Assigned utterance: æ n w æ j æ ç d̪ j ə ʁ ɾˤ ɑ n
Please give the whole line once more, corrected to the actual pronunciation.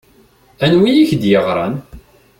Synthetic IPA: æ n w i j i ç d̪ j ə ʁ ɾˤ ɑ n

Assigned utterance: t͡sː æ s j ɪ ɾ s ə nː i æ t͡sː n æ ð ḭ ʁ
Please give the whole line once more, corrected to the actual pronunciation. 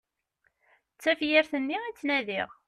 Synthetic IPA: t͡sː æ f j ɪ ɾ θ ə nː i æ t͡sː n æ ð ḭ ʁ

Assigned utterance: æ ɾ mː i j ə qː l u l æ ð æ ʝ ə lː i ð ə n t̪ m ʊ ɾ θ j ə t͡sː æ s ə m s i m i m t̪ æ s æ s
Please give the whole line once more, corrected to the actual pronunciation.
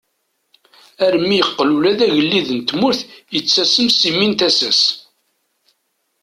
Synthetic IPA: æ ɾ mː i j ə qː l u l æ ð æ ʝ ə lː i ð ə n t̪ m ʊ ɾ θ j ə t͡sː æ s ə m s i m i n t̪ æ s æ s

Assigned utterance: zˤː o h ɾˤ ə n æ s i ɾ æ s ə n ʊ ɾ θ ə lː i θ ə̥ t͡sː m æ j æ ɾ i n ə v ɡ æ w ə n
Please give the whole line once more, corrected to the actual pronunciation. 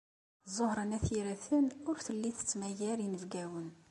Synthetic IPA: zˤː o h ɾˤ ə n æ θ i ɾ æ θ ə n ʊ ɾ θ ə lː i θ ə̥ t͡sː m æ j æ ɾ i n ə v ɡ æ w ə n

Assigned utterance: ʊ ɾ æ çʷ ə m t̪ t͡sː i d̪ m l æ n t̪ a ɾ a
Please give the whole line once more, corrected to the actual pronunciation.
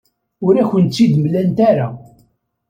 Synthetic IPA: ʊ ɾ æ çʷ ə n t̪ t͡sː i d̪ m l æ n t̪ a ɾ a

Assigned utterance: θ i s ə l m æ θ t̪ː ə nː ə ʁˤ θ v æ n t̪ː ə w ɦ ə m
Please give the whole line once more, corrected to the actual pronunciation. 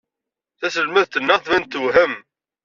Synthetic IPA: θ æ s ə l m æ ð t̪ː ə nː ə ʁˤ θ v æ n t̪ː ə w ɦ ə m

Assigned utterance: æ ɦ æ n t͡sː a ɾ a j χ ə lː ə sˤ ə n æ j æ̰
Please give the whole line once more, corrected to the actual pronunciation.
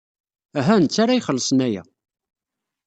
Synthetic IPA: æ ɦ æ n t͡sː a ɾ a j χ ə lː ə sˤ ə n æ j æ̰

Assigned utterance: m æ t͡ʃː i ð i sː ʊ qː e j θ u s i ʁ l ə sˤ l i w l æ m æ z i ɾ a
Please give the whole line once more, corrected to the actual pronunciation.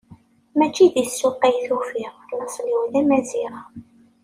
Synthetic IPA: m æ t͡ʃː i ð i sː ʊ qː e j θ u f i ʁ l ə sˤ l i w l æ m æ z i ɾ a

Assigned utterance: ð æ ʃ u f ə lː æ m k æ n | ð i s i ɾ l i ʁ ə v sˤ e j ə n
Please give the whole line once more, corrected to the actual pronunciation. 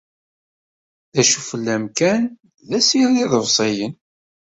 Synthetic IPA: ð æ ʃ u f ə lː æ m k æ n | ð æ s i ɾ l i ð ə v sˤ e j ə n

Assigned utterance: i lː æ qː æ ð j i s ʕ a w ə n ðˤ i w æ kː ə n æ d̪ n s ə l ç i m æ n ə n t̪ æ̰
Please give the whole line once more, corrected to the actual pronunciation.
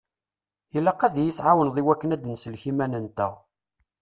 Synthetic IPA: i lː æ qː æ ð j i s ʕ a w ə n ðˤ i w æ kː ə n æ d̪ n s ə l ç i m æ n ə n t̪ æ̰

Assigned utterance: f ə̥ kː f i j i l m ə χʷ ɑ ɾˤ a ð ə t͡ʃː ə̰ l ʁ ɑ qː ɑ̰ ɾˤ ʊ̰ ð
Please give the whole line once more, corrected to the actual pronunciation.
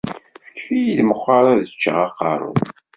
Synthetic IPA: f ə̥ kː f i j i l m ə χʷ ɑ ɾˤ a ð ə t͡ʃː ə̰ ʁ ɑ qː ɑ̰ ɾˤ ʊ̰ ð

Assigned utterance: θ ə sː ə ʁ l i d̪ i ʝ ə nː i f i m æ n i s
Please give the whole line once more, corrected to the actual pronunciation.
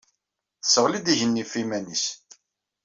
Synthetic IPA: θ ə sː ə ʁ l i d̪ i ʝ ə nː i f i m æ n i s

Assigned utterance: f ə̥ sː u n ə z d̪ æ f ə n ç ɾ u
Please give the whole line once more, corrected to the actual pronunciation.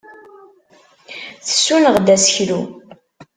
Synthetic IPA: θ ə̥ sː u n ə ʁ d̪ æ s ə ç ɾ u

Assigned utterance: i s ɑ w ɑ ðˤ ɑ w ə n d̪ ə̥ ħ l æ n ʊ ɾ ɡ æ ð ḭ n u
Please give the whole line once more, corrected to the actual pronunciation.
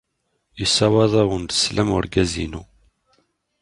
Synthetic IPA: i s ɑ w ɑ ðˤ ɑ w ə n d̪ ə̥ s l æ m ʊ ɾ ɡ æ z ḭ n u

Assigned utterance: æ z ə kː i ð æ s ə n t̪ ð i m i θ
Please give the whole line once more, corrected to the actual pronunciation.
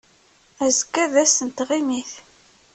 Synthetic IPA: æ z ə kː æ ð æ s ə n t̪ ʁ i m i θ

